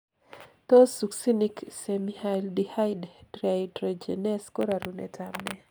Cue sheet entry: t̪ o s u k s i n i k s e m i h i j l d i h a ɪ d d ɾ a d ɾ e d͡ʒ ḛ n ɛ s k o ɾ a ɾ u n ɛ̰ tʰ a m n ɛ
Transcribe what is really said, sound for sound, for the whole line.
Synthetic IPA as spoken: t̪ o s u k s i n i k s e m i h a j l d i h a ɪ d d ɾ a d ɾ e d͡ʒ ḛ n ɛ s k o ɾ a ɾ u n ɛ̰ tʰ a m n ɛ